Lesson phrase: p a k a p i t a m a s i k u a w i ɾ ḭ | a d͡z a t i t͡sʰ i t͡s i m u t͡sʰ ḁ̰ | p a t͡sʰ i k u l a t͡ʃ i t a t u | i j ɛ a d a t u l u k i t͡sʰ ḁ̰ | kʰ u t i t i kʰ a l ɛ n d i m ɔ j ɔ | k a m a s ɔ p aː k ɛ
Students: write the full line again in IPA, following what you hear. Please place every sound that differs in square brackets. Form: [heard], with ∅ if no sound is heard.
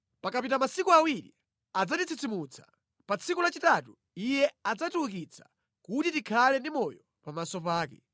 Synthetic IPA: p a k a p i t a m a s i k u a w i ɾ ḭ | a d͡z a t i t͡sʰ i t͡s i m u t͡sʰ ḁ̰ | p a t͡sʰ i k u l a t͡ʃ i t a t u | i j ɛ a [d͡z] a t u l u k i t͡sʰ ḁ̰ | [k] u t i t i kʰ a l ɛ n d i m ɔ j ɔ | [p] a m a s ɔ p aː k ɛ

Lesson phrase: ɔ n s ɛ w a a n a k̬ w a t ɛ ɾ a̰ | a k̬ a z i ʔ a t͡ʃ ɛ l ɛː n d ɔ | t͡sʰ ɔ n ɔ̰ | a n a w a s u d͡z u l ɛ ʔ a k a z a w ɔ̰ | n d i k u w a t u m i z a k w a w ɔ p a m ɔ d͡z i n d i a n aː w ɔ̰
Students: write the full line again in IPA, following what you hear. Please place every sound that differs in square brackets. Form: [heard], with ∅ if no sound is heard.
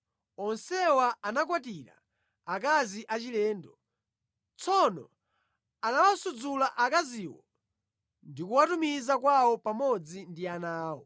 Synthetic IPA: ɔ n s ɛ w a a n a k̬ w a t [i] ɾ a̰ | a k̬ a z i ʔ a t͡ʃ [i] l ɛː n d ɔ | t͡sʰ ɔ n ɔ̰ | a n a w a s u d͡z u l [a] ʔ a k a z [i] w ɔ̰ | n d i k u w a t u m i z a k w a w ɔ p a m ɔ d͡z i n d i a n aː w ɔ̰

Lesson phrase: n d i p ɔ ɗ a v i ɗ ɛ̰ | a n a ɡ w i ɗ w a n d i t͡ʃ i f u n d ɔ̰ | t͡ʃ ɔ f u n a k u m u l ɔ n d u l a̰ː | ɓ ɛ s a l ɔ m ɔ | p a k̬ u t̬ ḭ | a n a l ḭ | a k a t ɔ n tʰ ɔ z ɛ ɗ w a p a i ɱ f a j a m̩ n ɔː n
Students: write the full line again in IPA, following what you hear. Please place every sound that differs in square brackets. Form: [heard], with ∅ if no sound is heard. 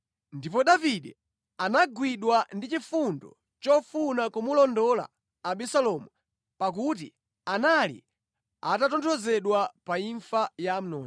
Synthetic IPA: n d i p ɔ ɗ a v i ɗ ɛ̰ | a n a ɡ w i ɗ w a n d i t͡ʃ i f u n d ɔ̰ | t͡ʃ ɔ f u n a k u m u l ɔ n d [ɔ] l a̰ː | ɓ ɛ s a l ɔ m [u] | p a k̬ u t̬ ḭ | a n a l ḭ | a [t] a t ɔ n tʰ ɔ z ɛ ɗ w a p a i ɱ f a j a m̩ n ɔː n

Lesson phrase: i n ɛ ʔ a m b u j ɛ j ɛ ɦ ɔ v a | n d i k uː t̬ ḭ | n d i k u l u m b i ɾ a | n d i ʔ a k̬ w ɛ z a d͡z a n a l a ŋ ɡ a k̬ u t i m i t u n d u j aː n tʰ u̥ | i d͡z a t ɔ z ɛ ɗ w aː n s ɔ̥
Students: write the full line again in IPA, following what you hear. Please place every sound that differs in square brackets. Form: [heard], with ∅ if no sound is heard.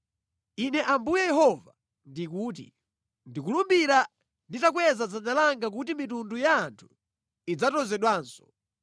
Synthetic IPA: i n ɛ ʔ a m b u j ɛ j ɛ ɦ ɔ v a | n d i k uː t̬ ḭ | n d i k u l u m b i ɾ a | n d i [t] a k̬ w ɛ z a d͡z a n a l a ŋ ɡ a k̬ u t i m i t u n d u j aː n tʰ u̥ | i d͡z a t ɔ z ɛ ɗ w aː n s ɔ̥

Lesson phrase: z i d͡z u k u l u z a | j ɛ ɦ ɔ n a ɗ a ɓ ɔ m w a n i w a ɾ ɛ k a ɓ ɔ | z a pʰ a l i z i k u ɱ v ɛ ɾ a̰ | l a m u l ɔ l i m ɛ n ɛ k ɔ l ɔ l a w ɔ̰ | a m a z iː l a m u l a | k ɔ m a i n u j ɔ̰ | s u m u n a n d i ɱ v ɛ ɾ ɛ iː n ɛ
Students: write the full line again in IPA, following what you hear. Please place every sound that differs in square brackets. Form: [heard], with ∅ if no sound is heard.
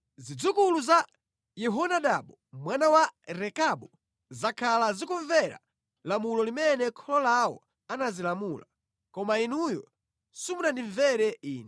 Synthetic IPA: z i d͡z u k u l u z a | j ɛ ɦ ɔ n a ɗ a ɓ ɔ m w a n [a] w a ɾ ɛ k a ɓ ɔ | z a [kʰ] a l [a] z i k u ɱ v ɛ ɾ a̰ | l a m u l ɔ l i m ɛ n ɛ [kʰ] ɔ l ɔ l a w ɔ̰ | a [n] a z [i] l a m u l a | k ɔ m a i n u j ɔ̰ | s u m u n a n d i ɱ v ɛ ɾ ɛ iː n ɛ

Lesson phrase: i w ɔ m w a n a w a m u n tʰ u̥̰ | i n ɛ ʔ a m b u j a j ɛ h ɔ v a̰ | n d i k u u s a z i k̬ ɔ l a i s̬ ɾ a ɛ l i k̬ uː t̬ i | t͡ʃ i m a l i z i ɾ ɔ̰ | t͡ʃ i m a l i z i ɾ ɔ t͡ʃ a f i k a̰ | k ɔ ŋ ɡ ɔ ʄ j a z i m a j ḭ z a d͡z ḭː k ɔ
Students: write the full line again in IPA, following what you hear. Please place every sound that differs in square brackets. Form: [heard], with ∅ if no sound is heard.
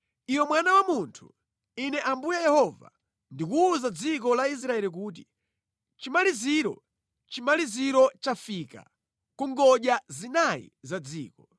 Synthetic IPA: i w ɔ m w a n a w a m u n tʰ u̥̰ | i n ɛ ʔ a m b u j a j ɛ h ɔ v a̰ | n d i k u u [z] a [d͡z] i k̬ ɔ l a i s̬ ɾ a ɛ l i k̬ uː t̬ i | t͡ʃ i m a l i z i ɾ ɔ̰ | t͡ʃ i m a l i z i ɾ ɔ t͡ʃ a f i k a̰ | k [u] ŋ ɡ ɔ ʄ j a z i [n] a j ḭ z a d͡z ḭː k ɔ

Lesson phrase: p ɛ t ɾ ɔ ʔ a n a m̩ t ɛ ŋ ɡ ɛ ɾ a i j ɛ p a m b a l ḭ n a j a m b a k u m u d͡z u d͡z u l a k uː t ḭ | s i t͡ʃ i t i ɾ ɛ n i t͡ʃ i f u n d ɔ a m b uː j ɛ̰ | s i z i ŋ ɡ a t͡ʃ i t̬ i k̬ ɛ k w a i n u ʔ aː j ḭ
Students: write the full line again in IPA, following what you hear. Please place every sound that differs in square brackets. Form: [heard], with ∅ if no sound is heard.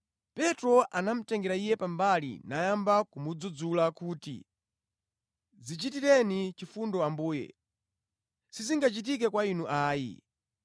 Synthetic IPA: p ɛ t ɾ ɔ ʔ a n a m̩ t ɛ ŋ ɡ ɛ ɾ a i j ɛ p a m b a l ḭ n a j a m b a k u m u d͡z u d͡z u l a k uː t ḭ | [z] i t͡ʃ i t i ɾ ɛ n i t͡ʃ i f u n d ɔ a m b uː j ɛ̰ | s i z i ŋ ɡ a t͡ʃ i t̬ i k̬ ɛ k w a i n u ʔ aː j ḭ

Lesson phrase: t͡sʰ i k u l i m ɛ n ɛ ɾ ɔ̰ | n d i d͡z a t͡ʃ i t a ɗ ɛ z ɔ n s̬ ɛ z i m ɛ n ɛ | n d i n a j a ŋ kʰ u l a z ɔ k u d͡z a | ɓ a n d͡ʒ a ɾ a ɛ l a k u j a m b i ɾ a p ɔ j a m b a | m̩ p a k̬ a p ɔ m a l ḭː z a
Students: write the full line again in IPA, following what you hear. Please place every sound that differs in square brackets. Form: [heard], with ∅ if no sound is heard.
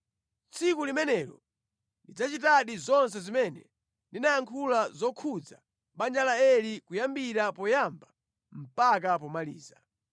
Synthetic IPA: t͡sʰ i k u l i m ɛ n ɛ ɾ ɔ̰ | n d i d͡z a t͡ʃ i t a ɗ [i] z ɔ n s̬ ɛ z i m ɛ n ɛ | n d i n a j a ŋ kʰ u l a z ɔ [kʰ] u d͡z a | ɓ a n d͡ʒ a [l] a ɛ l [i] k u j a m b i ɾ a p ɔ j a m b a | m̩ p a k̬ a p ɔ m a l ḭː z a

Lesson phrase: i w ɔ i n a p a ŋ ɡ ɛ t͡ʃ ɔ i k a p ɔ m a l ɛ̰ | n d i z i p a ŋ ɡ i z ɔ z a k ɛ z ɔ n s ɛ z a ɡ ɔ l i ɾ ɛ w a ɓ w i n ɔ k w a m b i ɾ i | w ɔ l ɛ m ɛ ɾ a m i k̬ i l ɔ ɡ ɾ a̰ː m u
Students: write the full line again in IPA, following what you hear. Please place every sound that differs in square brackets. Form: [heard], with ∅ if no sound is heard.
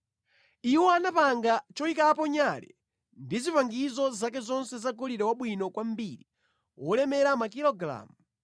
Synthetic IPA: i w ɔ [a] n a p a ŋ ɡ [a] t͡ʃ ɔ i k a p ɔ [ɲ] a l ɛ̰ | n d i z i p a ŋ ɡ i z ɔ z a k ɛ z ɔ n s ɛ z a ɡ ɔ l i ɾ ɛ w a ɓ w i n ɔ k w a m b i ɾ i | w ɔ l ɛ m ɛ ɾ a m [a] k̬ i l ɔ ɡ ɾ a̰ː m u

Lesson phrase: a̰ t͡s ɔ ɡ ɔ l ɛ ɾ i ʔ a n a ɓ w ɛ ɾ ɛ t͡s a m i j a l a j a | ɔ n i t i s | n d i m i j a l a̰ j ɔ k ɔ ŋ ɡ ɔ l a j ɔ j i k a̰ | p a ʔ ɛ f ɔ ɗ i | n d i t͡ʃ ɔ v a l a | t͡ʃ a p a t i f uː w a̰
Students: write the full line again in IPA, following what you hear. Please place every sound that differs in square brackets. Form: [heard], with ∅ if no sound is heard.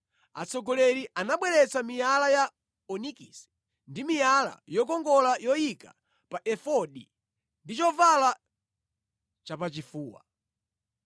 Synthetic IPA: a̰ t͡s ɔ ɡ ɔ l ɛ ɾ i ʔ a n a ɓ w ɛ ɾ ɛ t͡s a m i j a l a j a | ɔ n i [k] i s | n d i m i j a l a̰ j ɔ k ɔ ŋ ɡ ɔ l a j ɔ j i k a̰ | p a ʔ ɛ f ɔ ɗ i | n d i t͡ʃ ɔ v a l a | t͡ʃ a p a [t͡ʃ] i f uː w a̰

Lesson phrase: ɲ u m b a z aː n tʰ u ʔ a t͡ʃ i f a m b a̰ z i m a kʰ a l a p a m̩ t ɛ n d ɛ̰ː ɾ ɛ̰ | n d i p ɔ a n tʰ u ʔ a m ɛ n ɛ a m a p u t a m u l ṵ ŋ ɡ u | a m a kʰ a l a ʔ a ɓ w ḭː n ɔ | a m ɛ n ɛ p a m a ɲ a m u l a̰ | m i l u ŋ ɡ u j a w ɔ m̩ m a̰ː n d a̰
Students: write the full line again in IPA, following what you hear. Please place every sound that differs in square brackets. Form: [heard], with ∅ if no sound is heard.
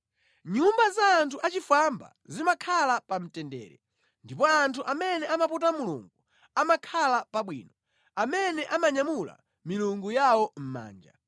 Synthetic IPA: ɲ u m b a z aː n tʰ u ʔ a t͡ʃ i f a m b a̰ z i m a kʰ a l a p a m̩ t ɛ n d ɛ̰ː ɾ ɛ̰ | n d i p ɔ a n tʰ u ʔ a m ɛ n ɛ a m a p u t a m u l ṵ ŋ ɡ u | a m a kʰ a l a [p] a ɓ w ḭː n ɔ | a m ɛ n ɛ [ʔ] a m a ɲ a m u l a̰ | m i l u ŋ ɡ u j a w ɔ m̩ m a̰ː n [d͡ʒ] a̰

